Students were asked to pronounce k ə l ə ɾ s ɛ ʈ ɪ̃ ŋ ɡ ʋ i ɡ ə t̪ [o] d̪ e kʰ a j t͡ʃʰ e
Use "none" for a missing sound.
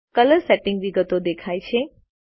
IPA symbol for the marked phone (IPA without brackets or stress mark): o